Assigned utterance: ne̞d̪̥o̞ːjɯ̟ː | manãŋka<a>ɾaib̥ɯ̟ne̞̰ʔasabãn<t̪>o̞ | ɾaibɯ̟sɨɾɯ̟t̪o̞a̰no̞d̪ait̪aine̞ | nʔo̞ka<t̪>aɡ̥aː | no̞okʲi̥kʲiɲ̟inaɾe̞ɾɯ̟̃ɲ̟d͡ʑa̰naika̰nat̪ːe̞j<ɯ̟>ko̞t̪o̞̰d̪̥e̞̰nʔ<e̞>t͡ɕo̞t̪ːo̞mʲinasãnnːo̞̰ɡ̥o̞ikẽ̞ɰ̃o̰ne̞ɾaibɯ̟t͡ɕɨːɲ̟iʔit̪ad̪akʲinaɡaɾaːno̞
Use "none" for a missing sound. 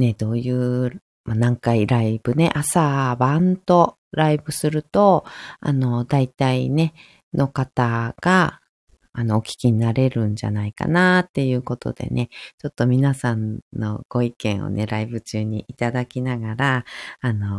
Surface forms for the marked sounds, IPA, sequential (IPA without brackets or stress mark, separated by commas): i, t̪, t̪, ɯ̟ː, e̞